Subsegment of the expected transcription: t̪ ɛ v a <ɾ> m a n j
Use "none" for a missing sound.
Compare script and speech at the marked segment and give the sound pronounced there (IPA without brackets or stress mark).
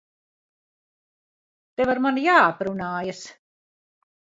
ɾ